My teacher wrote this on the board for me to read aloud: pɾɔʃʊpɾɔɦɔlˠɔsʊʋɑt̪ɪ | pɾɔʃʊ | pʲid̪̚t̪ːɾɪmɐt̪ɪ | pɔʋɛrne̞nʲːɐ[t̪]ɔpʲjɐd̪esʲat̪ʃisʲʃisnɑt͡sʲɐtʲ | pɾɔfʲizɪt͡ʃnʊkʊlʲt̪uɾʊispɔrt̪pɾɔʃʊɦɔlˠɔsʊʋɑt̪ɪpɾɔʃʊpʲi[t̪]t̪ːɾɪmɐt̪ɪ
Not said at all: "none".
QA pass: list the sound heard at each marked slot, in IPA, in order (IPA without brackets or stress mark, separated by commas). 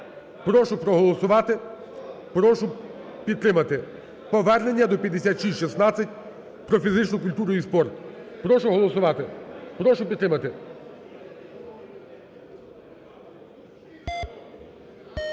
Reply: d̪, d̪